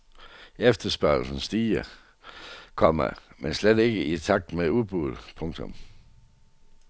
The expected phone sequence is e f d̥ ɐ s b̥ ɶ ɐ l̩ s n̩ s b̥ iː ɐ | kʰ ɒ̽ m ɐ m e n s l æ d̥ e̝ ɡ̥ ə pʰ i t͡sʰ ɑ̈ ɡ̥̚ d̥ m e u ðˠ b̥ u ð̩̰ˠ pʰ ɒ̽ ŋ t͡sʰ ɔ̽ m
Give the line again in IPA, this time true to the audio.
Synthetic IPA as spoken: e f d̥ ɐ s b̥ ɶ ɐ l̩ s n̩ s d̥ iː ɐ | kʰ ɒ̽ m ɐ m e n s l e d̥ e̝ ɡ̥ ə i t͡sʰ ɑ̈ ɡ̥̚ d̥ m e u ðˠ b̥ u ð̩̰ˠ pʰ ɔ̽ ŋ t͡sʰ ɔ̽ m